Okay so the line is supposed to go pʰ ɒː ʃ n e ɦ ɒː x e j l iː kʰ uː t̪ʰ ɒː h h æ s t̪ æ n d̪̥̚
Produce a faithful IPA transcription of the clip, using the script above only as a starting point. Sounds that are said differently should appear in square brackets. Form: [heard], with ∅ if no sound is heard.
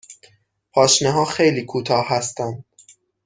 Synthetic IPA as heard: pʰ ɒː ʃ n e ɦ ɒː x e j l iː kʰ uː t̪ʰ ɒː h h æ s t̪ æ n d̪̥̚